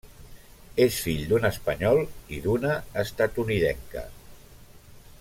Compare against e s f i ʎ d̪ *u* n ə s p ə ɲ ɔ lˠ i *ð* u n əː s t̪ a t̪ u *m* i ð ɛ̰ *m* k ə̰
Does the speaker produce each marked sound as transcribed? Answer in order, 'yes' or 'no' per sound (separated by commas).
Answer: yes, yes, no, no